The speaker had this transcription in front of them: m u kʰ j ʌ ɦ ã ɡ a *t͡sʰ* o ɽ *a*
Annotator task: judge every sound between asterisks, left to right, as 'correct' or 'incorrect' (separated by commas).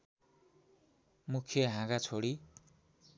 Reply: correct, incorrect